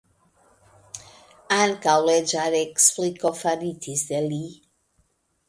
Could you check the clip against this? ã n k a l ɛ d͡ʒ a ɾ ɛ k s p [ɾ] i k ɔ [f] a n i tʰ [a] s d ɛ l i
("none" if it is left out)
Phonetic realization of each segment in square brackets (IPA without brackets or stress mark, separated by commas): l, f, i